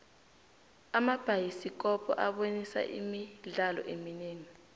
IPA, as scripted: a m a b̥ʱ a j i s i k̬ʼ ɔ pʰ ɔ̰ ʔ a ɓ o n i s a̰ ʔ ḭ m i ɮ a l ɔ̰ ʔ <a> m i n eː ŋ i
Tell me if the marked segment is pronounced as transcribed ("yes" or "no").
no